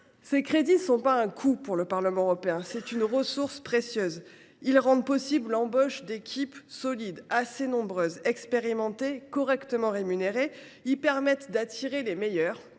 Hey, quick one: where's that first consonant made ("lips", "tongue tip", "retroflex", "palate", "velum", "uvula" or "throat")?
tongue tip